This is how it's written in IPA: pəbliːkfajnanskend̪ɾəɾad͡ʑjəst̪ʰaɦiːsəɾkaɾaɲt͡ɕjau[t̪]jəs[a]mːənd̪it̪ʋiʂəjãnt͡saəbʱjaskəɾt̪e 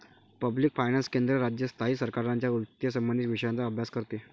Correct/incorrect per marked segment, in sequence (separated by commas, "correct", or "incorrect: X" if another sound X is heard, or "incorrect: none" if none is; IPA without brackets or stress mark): correct, incorrect: ə